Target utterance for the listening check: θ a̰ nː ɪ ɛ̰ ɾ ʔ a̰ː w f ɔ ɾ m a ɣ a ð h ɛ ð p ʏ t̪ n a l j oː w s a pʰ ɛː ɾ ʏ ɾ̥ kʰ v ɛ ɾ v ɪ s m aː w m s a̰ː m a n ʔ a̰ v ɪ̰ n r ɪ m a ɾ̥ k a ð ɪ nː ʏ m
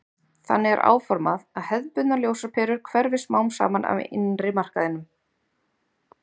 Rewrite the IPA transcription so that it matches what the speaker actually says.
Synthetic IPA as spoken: θ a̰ nː ɪ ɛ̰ ɾ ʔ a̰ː w f ɔ ɾ m a ð a ð h ɛ ð p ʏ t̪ n a l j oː w s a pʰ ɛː ɾ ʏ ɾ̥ kʰ v ɛ ɾ v ɪ s m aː w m s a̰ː m a n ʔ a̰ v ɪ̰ n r ɪ m a r̥ k a ð ɪ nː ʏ m

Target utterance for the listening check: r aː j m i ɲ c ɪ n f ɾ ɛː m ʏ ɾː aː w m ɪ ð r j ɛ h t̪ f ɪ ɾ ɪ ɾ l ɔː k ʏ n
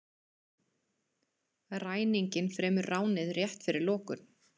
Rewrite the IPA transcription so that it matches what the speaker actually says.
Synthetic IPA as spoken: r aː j n i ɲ c ɪ n f ɾ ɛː m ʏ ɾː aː w n ɪ ð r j ɛ h t̪ f ɪ ɾ ɪ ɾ l ɔː k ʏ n

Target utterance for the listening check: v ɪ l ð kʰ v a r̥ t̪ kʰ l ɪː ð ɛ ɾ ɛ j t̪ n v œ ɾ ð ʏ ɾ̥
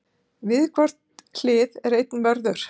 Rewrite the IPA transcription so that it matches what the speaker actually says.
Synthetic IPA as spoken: v ɪ ð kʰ v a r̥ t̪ kʰ l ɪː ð ɛ ɾ e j t̪ n v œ ɾ ð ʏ ɾ̥

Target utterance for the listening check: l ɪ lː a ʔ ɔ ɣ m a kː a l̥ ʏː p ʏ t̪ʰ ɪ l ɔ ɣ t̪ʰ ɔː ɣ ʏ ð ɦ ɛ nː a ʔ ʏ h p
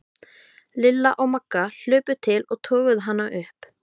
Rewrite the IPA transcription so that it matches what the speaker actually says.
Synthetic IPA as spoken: l ɪ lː a ʔ ɔ ɣ m a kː a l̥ ʏː p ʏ t̪ʰ ɪ l ɔ ɣ t̪ʰ ɔː ɣ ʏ ð ɦ a nː a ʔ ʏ h p

